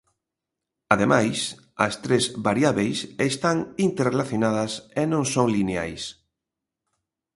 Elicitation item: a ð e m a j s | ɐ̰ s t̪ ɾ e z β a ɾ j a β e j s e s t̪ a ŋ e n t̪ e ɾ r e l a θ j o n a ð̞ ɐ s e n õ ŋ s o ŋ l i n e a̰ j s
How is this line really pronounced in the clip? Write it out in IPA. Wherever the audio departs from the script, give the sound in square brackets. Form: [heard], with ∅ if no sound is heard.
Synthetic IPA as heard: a ð e m a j s | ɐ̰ s t̪ ɾ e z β a ɾ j a β e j s e s t̪ a ŋ [i] n t̪ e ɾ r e l a θ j o n a ð̞ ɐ s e n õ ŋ s o ŋ l i n e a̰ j s